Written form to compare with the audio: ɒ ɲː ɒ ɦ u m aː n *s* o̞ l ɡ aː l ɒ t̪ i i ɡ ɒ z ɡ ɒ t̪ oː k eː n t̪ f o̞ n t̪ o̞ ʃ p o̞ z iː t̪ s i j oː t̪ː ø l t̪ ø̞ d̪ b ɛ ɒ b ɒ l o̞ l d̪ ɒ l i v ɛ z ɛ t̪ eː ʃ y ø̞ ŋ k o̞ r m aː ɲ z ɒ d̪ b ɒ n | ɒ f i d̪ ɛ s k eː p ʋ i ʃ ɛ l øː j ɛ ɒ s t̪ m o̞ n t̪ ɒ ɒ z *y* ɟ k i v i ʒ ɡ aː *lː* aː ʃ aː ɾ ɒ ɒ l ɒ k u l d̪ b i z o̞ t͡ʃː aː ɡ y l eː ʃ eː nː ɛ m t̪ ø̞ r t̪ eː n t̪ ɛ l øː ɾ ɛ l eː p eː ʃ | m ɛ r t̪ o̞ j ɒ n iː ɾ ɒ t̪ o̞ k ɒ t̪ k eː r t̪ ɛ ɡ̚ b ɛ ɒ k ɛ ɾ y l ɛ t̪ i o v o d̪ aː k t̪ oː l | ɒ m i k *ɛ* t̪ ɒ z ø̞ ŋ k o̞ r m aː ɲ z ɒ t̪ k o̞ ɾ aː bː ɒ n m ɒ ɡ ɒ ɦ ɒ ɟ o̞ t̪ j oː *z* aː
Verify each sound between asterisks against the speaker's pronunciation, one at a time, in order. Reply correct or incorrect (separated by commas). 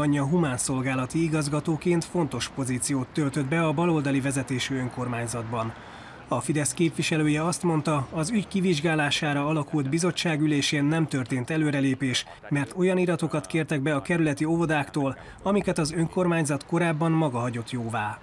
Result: correct, correct, incorrect, correct, incorrect